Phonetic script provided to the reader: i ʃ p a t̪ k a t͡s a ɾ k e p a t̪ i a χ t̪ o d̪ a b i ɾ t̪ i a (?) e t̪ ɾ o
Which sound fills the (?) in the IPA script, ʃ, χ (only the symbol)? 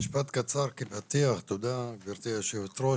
ʃ